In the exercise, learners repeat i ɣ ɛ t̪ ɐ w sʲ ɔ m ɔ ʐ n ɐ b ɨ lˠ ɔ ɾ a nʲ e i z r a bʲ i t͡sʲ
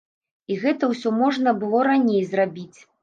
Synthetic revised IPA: i ɣ ɛ t̪ ɐ w sʲ ɔ m ɔ ʐ n ɐ b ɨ lˠ ɔ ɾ a nʲ e j z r a bʲ i t͡sʲ